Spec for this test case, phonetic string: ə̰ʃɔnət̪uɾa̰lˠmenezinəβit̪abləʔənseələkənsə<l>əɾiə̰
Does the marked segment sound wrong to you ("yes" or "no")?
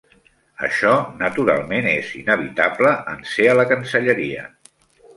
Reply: yes